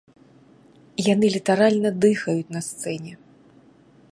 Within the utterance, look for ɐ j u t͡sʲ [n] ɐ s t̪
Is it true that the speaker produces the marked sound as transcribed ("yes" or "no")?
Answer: yes